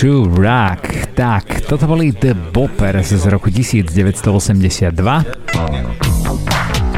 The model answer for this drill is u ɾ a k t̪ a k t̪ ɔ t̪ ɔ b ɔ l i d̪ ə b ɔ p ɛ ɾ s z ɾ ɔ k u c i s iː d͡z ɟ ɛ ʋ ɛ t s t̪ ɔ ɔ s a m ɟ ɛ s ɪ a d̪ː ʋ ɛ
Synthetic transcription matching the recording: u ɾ a k t̪ a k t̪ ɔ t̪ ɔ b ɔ l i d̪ ə b ɔ p ɛ ɾ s z ɾ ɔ k u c i s iː d͡z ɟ ɛ ʋ ɛ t s t̪ ɔ ɔ s ɛ m ɟ ɛ s ɪ a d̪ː ʋ a